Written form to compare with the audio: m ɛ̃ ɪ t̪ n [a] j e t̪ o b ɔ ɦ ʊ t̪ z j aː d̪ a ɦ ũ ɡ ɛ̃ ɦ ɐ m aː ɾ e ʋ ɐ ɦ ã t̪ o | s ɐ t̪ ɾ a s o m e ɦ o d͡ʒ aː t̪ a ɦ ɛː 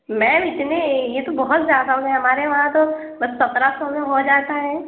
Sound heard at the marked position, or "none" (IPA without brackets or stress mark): e